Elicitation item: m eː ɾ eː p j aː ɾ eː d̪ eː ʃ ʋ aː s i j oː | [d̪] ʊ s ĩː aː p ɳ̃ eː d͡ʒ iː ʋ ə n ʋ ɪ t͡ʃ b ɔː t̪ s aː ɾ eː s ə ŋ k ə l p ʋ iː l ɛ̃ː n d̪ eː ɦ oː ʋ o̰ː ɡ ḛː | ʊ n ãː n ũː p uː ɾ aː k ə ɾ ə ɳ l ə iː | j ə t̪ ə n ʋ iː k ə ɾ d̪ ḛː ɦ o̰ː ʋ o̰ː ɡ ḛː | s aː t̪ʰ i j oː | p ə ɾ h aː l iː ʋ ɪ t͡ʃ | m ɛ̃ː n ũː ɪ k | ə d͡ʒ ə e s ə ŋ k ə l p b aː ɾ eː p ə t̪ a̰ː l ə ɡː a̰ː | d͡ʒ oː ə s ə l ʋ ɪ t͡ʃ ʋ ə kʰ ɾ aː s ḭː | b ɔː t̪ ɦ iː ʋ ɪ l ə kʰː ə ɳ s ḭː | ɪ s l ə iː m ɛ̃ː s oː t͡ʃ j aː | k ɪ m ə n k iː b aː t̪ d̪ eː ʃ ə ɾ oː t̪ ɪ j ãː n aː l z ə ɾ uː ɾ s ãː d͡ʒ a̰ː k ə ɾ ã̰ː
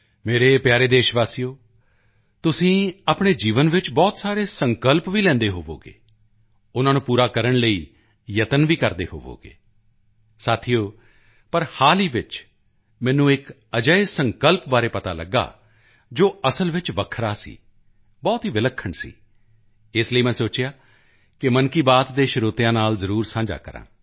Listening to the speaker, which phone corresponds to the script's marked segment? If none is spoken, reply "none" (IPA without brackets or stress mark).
t̪